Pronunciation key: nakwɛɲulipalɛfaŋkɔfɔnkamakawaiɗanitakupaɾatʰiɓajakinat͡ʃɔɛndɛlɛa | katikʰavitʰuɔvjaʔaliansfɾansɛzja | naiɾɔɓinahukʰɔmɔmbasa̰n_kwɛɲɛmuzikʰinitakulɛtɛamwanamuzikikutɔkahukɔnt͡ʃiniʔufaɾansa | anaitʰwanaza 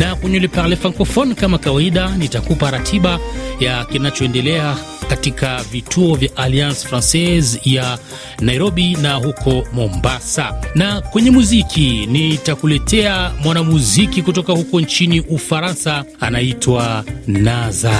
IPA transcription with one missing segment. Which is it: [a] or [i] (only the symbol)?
a